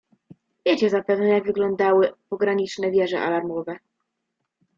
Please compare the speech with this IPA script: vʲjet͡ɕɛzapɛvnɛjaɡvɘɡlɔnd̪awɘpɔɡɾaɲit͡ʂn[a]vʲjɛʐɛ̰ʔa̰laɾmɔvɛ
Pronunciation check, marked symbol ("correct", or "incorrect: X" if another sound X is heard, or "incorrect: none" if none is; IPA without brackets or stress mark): incorrect: ɛ